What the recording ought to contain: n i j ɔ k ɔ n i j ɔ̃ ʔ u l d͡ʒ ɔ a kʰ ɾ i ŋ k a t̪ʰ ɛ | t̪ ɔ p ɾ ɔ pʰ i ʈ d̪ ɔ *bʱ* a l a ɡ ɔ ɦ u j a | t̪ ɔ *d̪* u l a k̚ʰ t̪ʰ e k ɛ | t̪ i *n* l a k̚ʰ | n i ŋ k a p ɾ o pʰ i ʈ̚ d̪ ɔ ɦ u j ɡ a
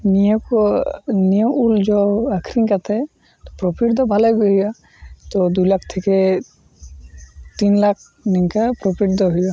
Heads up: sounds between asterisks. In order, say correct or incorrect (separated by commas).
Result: correct, correct, correct